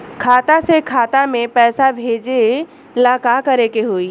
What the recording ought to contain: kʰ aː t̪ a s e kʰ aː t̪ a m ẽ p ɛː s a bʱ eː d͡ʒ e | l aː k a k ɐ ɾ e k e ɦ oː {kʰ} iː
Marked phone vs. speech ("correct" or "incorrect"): incorrect